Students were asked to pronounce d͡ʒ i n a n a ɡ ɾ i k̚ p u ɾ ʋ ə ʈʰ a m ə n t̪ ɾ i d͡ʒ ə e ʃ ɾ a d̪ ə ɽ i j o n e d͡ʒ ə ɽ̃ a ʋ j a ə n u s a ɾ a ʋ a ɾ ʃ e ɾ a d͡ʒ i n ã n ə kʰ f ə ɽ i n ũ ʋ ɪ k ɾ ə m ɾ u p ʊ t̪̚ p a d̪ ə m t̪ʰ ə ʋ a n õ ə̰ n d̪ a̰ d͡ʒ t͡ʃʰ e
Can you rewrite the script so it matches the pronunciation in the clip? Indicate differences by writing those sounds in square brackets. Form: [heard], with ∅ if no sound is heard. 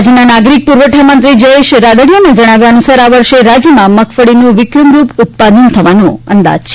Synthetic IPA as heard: d͡ʒ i n a n a ɡ ɾ i k̚ p u ɾ ʋ ə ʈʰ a m ə n t̪ ɾ i d͡ʒ ə e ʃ ɾ a d̪ ə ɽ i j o n e d͡ʒ ə ɽ̃ a ʋ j a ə n u s a ɾ a ʋ [ə] ɾ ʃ e ɾ a d͡ʒ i [m] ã [m] ə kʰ f ə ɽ i n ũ ʋ ɪ k ɾ ə m ɾ u p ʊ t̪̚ p a d̪ ə [n] t̪ʰ ə ʋ a n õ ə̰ n d̪ a̰ d͡ʒ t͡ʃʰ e